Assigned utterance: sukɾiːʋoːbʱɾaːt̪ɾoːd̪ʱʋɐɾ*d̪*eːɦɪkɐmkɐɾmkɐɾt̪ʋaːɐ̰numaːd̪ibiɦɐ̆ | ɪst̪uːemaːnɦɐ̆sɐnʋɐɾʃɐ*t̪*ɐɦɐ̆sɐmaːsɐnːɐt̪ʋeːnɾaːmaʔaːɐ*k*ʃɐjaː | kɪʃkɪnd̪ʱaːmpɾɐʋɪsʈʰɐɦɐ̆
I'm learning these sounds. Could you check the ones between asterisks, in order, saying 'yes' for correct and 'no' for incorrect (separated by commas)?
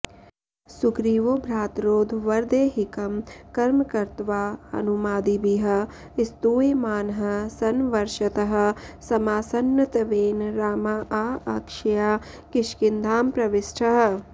yes, yes, yes